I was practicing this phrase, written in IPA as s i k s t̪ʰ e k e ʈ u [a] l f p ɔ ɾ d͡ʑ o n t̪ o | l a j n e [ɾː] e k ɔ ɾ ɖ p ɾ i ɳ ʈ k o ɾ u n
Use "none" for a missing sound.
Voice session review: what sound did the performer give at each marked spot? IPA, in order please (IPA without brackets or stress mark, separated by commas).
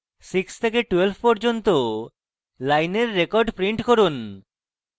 e, ɾː